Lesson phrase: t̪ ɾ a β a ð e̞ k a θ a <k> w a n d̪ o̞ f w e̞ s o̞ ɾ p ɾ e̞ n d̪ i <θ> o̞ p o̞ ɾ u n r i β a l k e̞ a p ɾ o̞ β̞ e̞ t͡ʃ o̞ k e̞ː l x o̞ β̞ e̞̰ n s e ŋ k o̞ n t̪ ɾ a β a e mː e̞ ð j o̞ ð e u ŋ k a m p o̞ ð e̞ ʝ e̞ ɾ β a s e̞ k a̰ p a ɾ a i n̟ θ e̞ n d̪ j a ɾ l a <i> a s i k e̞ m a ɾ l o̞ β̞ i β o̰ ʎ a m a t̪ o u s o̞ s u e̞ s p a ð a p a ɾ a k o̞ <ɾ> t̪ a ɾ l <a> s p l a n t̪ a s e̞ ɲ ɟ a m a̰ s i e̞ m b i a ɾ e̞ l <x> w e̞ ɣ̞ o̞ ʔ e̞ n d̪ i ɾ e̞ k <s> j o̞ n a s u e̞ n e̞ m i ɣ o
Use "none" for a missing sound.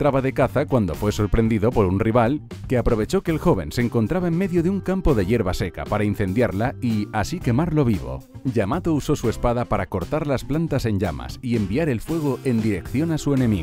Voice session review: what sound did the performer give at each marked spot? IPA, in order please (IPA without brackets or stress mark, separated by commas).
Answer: k, ð, i, ɾ, a, f, θ